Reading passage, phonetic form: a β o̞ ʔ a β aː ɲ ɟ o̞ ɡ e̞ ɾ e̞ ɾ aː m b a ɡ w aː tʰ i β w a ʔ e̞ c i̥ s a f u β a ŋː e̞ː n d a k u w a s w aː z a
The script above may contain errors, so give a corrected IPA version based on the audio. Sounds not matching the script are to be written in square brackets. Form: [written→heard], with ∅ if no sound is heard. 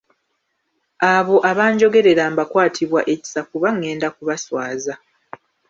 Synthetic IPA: a β o̞ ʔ a β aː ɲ ɟ o̞ ɡ e̞ ɾ e̞ ɾ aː m b a [ɡ→k] w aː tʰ i β w a ʔ e̞ c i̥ s a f u β a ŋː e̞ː n d a k u [w→β] a s w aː z a